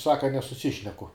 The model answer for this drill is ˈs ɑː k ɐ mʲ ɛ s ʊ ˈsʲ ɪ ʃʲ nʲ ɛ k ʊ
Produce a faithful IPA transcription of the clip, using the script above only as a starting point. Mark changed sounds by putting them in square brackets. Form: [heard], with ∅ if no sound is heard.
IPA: ˈs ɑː k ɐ [nʲ] ɛ s ʊ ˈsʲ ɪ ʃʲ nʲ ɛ k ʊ